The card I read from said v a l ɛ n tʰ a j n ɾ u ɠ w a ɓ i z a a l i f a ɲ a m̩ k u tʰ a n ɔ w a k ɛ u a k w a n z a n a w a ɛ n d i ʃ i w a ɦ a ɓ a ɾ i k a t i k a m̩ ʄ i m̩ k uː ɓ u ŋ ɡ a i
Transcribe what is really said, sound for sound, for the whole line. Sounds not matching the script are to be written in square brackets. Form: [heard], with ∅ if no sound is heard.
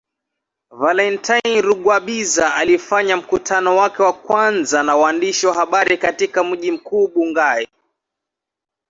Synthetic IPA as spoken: v a l ɛ n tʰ a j n ɾ u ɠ w a ɓ i z a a l i f a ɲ a m̩ k u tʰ a n ɔ w a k ɛ [w] a k w a n z a n a w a [a] n d i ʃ i w a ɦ a ɓ a ɾ i k a t i k a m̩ ʄ i m̩ k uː ɓ u ŋ ɡ a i